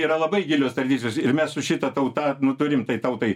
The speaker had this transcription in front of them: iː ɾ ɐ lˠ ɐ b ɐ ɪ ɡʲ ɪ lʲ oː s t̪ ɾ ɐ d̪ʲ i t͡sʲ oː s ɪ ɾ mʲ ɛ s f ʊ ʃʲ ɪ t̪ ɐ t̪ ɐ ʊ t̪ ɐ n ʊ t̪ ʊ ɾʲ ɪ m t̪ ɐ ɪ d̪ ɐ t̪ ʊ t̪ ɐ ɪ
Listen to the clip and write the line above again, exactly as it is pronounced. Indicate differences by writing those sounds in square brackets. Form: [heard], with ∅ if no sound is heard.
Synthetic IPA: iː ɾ ɐ lˠ ɐ b ɐ ɪ ɡʲ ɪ lʲ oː s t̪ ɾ ɐ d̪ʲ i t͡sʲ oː s ɪ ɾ mʲ ɛ s [s] ʊ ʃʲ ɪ t̪ ɐ t̪ ɐ ʊ t̪ ɐ n ʊ t̪ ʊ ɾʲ ɪ m t̪ ɐ ɪ [t̪] ɐ [∅] ʊ t̪ ɐ ɪ